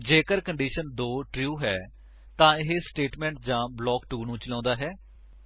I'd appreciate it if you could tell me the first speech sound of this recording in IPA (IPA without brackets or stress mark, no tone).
d͡ʒ